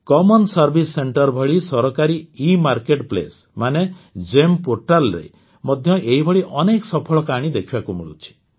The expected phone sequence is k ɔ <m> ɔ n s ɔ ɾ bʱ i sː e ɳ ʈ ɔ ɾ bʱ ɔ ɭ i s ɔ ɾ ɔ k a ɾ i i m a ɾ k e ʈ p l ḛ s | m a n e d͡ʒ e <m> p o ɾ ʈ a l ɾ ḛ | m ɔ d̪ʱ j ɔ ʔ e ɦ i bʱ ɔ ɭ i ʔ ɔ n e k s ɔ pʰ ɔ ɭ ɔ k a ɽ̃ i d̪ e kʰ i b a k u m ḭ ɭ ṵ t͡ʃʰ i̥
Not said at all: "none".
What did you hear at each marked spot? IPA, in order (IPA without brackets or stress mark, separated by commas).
m, m